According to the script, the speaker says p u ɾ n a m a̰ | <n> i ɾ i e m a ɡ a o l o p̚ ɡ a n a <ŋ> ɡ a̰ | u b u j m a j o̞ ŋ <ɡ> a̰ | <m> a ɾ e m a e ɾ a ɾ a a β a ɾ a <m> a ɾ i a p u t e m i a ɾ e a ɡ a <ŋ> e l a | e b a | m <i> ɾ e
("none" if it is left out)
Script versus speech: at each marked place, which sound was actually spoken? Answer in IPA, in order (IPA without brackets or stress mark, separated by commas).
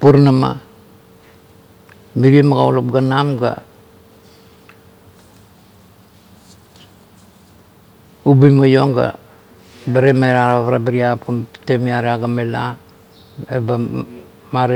m, m, ɡ, b, b, m, a